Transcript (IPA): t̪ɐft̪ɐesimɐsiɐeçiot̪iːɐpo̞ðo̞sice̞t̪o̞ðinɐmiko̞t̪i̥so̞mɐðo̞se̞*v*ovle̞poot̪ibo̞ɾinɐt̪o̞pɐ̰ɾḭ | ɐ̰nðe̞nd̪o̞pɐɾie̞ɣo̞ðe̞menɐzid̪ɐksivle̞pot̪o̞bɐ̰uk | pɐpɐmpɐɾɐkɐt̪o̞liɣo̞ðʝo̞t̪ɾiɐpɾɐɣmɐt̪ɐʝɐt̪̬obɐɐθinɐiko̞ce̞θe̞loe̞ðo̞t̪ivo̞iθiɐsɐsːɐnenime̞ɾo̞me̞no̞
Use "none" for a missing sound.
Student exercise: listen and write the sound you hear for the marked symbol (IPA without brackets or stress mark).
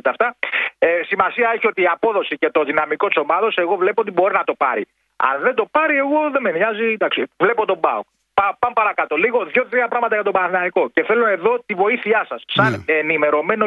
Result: ɣ